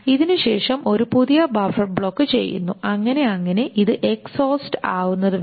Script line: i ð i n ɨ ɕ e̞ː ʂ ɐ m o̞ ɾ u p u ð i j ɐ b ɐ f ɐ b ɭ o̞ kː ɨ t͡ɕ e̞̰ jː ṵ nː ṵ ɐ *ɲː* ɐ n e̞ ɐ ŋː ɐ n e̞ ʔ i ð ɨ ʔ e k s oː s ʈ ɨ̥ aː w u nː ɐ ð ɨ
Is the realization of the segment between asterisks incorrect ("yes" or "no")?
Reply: yes